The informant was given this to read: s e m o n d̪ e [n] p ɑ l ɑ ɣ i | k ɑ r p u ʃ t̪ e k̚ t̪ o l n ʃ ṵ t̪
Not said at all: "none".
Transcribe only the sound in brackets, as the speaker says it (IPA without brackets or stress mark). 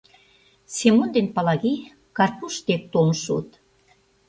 n